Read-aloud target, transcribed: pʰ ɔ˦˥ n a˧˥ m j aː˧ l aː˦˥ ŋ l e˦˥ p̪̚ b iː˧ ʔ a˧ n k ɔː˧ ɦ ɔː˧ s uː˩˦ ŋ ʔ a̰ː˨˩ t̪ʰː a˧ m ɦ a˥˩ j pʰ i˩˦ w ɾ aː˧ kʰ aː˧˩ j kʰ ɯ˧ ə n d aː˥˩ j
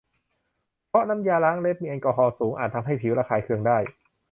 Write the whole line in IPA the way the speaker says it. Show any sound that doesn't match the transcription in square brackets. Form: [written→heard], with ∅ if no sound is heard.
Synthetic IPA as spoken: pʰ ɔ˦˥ n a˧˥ m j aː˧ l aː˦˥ ŋ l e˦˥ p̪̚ [b→m] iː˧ ʔ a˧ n k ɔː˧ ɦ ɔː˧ s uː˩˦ ŋ ʔ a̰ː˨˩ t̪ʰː a˧ m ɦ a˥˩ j pʰ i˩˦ w ɾ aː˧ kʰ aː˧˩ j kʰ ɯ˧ ə [n→ŋ] d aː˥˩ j